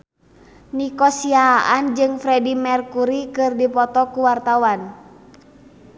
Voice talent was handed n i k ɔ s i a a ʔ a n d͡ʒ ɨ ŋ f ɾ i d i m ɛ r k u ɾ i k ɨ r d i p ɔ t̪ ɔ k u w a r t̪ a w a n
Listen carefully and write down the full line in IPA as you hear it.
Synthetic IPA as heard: n i k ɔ s i a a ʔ a n d͡ʒ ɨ ŋ f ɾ ɛ d i m ɛ r k u ɾ i k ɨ r d i p ɔ t̪ ɔ k u w a r t̪ a w a n